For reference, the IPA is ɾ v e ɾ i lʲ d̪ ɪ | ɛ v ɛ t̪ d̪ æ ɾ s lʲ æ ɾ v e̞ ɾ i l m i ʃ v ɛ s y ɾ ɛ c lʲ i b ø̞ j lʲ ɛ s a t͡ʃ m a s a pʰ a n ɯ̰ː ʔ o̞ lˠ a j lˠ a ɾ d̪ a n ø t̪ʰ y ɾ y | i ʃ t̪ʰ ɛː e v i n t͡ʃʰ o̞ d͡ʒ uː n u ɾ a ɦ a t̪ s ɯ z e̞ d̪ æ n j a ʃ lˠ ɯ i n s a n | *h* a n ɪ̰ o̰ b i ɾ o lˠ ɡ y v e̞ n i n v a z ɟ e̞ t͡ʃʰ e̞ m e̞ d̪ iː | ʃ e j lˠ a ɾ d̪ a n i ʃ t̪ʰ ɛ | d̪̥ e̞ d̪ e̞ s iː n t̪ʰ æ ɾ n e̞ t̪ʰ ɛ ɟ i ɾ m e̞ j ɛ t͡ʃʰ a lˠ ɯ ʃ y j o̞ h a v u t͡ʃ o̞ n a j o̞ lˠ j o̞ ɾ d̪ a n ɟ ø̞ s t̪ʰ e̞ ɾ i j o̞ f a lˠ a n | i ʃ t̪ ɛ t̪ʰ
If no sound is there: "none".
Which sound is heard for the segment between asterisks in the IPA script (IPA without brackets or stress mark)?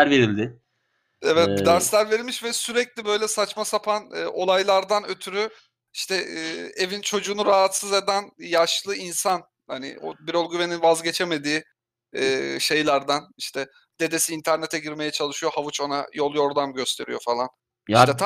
h